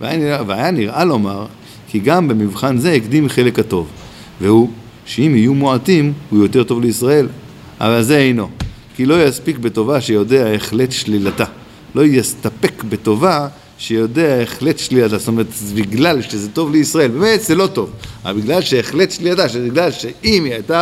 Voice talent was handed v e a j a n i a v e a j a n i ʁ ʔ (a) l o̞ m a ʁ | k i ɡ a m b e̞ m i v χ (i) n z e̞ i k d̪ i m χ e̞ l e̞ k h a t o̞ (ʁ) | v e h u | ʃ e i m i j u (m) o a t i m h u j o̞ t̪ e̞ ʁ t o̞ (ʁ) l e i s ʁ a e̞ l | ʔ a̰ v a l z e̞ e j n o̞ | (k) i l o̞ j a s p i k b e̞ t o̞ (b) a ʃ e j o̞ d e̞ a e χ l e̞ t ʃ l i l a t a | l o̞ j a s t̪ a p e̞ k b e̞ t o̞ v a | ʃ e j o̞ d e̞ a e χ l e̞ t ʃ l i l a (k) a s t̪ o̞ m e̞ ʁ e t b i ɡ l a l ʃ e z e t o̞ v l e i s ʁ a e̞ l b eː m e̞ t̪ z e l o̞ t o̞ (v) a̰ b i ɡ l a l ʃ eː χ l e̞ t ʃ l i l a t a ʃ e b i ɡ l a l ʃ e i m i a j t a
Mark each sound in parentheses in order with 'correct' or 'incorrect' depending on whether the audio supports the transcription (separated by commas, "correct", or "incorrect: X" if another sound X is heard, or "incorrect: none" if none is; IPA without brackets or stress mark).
correct, incorrect: a, incorrect: v, correct, incorrect: v, correct, incorrect: v, incorrect: t, correct